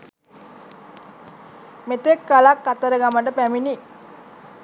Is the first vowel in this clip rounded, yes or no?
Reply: no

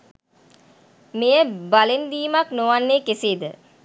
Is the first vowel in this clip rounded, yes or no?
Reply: no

